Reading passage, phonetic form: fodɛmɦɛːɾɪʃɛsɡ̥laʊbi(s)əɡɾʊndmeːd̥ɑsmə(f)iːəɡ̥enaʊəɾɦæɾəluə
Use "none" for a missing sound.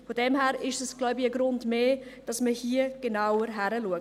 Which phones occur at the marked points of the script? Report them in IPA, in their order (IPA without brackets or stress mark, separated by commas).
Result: none, h